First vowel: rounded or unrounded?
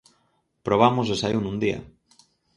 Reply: rounded